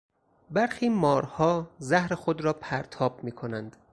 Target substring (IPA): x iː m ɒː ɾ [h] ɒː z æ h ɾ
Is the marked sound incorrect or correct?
correct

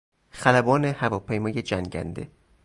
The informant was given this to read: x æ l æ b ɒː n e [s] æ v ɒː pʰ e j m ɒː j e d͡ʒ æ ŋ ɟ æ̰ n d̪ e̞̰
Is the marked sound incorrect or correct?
incorrect: h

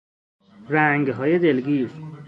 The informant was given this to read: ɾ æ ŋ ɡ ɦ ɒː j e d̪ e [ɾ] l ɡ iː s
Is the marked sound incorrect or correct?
incorrect: none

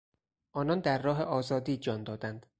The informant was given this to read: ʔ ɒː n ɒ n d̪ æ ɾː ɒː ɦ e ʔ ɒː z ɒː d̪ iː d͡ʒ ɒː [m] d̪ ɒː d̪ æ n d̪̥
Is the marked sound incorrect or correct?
incorrect: n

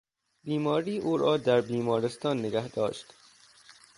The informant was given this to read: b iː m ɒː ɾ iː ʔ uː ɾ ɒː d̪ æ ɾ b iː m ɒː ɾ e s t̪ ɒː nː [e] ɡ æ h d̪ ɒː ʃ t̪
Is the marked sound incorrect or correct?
correct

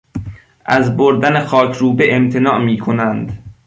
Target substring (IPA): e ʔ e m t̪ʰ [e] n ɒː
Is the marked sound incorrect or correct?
correct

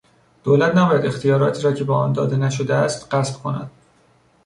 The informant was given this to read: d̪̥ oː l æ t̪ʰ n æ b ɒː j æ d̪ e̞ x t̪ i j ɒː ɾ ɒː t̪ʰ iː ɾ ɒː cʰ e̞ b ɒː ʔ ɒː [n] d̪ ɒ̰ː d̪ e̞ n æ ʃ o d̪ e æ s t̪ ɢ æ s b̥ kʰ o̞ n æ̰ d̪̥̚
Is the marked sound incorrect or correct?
correct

